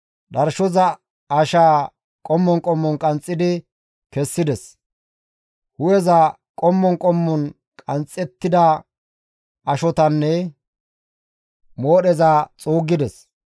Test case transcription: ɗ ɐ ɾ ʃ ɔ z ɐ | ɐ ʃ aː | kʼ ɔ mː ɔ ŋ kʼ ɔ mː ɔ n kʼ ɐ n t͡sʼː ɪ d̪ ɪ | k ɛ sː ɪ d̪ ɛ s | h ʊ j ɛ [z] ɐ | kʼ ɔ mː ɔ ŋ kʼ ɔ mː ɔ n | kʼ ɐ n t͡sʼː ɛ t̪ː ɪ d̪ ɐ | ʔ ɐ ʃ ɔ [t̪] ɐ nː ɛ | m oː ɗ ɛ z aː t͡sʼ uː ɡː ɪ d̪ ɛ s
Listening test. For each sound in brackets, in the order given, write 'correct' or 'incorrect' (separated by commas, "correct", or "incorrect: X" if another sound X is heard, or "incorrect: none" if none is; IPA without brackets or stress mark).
correct, correct